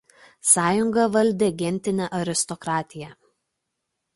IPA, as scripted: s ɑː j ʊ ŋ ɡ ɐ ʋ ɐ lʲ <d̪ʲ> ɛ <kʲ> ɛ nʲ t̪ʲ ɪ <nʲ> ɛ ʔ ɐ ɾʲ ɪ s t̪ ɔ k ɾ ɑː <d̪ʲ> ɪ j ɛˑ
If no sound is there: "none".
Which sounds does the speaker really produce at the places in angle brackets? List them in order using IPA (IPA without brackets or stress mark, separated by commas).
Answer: d̪ʲ, ɡʲ, nʲ, t̪ʲ